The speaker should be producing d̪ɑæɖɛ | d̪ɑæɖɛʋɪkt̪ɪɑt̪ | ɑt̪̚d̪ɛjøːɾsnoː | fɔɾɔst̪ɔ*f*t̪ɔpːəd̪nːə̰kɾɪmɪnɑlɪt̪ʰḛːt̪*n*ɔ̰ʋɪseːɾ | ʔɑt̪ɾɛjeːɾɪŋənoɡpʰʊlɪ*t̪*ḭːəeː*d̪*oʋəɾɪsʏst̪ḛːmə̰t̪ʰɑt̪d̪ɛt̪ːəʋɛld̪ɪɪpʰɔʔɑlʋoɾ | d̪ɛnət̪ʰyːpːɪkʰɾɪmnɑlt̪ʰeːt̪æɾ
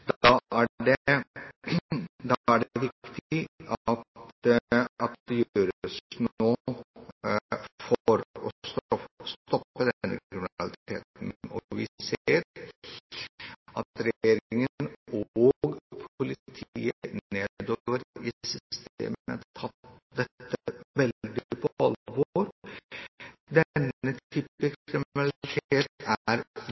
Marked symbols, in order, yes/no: no, yes, no, yes

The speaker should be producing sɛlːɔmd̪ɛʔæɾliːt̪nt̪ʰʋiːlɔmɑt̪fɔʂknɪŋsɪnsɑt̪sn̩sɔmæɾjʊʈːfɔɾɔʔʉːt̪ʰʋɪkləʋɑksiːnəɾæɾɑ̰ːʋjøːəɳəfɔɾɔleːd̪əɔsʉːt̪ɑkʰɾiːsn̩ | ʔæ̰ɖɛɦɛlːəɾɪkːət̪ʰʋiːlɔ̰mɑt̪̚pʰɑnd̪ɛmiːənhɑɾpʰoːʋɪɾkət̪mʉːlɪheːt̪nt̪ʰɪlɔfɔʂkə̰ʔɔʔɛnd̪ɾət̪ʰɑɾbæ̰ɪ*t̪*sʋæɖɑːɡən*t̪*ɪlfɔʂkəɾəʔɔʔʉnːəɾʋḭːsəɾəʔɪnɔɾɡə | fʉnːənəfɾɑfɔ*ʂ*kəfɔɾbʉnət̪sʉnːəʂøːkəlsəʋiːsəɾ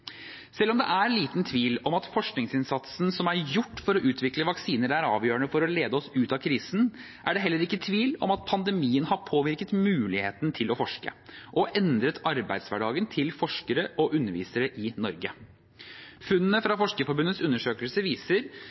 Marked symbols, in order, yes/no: no, no, yes

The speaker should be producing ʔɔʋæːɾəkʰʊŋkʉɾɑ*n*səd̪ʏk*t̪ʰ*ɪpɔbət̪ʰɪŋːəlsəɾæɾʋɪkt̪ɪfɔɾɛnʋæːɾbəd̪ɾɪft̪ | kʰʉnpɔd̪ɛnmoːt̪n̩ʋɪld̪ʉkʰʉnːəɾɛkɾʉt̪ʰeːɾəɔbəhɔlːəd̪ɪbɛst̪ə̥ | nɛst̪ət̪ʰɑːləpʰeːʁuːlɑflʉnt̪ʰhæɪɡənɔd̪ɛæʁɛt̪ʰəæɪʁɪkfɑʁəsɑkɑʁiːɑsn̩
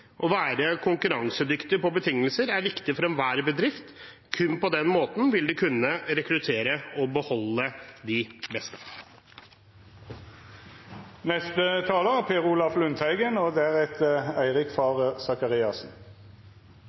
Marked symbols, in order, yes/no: no, no

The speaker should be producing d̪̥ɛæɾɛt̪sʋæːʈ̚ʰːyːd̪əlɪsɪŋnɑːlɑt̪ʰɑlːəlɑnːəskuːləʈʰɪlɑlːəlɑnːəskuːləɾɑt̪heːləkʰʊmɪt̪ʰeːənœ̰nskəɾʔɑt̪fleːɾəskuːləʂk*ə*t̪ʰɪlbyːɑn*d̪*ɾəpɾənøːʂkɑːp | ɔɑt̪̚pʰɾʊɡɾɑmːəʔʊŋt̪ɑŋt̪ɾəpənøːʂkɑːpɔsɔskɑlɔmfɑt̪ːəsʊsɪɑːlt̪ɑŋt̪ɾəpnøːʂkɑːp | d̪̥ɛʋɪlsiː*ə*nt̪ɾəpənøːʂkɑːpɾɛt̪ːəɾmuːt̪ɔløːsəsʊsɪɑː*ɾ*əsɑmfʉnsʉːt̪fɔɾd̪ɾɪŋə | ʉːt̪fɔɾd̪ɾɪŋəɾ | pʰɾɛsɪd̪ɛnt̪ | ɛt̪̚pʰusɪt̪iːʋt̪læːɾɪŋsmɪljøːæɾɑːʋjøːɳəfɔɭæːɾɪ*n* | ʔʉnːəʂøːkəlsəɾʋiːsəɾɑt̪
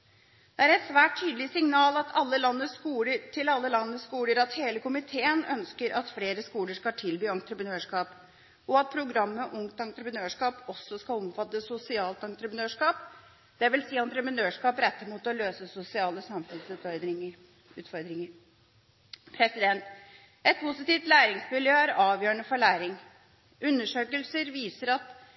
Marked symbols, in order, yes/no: no, no, no, no, no

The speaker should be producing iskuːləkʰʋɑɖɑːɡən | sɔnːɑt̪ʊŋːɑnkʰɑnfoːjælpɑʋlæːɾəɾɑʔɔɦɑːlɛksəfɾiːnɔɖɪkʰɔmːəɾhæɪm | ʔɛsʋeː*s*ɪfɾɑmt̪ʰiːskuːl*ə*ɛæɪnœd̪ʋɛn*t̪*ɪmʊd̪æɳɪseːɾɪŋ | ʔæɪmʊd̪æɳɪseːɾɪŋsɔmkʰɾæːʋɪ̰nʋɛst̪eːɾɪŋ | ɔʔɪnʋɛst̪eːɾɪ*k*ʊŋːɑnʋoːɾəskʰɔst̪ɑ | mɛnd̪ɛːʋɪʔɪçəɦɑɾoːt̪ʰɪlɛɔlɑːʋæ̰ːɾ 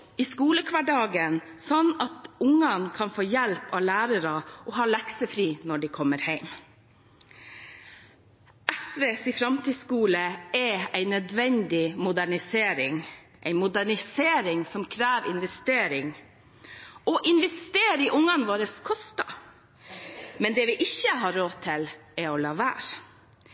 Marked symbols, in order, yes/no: yes, yes, no, no

